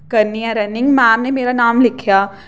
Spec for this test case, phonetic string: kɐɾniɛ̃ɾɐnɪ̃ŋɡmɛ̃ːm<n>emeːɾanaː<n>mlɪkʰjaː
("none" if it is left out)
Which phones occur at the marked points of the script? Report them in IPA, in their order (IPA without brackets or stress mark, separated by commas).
n, none